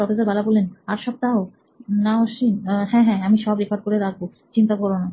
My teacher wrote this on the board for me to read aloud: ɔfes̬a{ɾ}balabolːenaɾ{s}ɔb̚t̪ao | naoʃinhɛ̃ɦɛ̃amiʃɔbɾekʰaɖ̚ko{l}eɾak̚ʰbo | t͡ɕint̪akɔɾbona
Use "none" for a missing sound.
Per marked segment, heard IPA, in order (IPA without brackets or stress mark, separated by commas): ɾ, ʃ, ɾ